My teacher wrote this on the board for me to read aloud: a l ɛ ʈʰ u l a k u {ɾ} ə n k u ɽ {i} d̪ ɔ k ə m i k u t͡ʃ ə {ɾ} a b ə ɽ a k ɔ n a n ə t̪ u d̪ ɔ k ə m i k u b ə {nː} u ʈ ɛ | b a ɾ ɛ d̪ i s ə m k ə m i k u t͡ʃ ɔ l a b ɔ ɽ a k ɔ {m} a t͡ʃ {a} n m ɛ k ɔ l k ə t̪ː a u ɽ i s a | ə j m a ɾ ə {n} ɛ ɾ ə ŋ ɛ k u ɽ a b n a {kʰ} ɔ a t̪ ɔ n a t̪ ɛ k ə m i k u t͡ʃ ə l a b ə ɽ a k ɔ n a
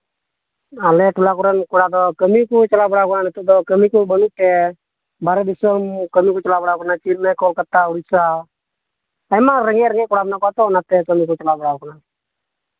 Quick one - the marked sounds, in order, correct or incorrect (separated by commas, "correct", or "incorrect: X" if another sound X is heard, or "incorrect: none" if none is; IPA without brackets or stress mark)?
correct, incorrect: a, incorrect: l, incorrect: n, incorrect: n, incorrect: i, incorrect: ŋ, incorrect: k